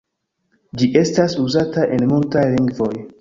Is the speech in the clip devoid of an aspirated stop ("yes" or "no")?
yes